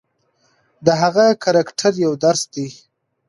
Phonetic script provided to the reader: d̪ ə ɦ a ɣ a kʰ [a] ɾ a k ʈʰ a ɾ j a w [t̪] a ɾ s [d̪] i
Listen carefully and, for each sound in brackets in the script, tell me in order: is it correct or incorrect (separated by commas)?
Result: correct, incorrect, correct